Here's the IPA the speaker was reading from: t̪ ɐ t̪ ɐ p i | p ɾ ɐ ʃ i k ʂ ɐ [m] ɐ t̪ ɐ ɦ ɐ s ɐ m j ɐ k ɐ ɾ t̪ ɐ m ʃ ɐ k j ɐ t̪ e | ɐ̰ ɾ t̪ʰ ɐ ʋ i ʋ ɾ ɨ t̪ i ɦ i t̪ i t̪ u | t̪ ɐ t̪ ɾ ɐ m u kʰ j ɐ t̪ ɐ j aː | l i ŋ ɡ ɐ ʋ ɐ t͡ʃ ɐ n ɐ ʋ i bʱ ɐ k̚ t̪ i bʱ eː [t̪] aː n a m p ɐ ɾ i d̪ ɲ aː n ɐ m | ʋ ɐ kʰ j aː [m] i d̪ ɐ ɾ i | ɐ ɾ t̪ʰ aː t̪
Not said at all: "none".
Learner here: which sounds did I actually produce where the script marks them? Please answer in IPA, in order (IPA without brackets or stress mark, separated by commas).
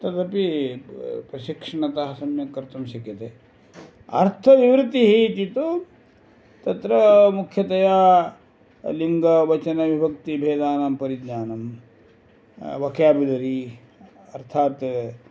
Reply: ɳ, d̪, b